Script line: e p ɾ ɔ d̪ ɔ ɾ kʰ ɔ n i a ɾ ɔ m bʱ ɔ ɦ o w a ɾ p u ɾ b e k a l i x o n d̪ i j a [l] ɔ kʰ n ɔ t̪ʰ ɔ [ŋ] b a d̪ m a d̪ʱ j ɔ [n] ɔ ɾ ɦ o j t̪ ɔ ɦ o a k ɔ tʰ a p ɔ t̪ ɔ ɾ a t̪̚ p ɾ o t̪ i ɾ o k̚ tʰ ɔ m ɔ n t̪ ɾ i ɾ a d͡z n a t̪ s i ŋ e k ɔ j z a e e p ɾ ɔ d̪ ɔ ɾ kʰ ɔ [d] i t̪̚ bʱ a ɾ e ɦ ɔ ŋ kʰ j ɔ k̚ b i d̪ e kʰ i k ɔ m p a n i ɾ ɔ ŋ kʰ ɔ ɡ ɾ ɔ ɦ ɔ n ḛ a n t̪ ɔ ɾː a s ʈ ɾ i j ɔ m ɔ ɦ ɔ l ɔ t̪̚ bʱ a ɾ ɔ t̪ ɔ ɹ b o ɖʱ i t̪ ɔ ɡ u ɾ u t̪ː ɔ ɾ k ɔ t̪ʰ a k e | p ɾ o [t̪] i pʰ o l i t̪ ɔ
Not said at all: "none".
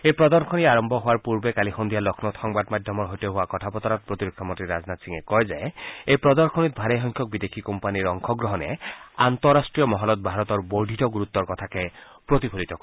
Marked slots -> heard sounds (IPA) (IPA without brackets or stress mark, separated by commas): l, ŋ, m, n, t̪